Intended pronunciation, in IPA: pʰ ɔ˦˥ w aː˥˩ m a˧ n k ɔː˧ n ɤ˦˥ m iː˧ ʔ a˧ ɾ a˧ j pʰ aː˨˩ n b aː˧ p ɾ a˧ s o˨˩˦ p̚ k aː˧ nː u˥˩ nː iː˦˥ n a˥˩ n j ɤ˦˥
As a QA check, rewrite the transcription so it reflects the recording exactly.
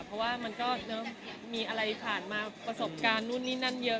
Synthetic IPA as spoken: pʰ ɔ˦˥ w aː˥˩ m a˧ n k ɔː˥˩ n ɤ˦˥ m iː˧ ʔ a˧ ɾ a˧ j pʰ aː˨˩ n m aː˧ p ɾ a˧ s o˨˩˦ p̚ k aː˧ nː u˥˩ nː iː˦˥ n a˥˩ n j ɤ˦˥

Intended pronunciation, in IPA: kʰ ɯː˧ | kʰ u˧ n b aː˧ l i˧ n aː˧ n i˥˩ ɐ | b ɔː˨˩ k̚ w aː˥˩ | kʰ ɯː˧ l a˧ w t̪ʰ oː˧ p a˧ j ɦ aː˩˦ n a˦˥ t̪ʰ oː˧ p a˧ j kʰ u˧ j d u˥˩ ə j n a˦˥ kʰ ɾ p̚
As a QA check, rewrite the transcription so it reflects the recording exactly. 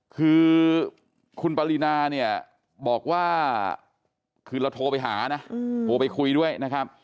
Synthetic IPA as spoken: kʰ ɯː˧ | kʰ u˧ n p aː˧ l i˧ n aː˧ n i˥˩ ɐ | b ɔː˨˩ k̚ w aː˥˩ | kʰ ɯː˧ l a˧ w t̪ʰ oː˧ p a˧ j ɦ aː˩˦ n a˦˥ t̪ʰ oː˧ p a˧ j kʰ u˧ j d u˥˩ ə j n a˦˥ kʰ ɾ p̚

